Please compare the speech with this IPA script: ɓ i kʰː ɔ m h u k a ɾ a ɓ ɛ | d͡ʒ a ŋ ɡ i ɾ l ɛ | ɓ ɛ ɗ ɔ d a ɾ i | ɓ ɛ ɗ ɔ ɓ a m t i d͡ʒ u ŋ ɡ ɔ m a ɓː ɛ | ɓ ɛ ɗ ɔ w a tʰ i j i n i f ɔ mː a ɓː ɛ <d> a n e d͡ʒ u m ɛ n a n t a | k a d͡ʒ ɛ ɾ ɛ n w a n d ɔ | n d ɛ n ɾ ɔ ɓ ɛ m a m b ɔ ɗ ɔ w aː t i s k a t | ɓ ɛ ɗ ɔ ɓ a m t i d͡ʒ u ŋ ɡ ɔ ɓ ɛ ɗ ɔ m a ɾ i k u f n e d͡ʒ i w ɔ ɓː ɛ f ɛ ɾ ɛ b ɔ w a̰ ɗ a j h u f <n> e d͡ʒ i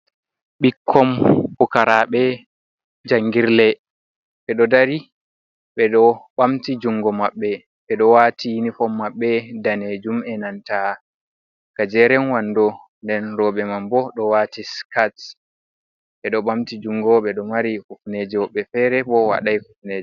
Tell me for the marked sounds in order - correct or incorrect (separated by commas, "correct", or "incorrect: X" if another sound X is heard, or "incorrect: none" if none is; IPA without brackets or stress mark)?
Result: correct, correct